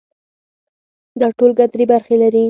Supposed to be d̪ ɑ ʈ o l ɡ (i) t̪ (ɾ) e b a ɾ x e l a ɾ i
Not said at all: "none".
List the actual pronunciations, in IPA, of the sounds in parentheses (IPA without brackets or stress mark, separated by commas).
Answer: a, ɾ